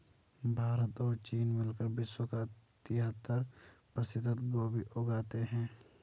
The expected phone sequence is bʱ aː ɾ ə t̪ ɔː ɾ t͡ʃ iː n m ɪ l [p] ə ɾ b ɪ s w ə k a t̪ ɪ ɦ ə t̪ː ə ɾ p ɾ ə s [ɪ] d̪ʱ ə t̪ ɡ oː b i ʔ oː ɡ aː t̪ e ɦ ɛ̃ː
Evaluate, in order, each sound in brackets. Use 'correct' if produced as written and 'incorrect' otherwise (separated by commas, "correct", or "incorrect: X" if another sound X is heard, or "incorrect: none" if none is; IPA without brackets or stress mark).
incorrect: k, correct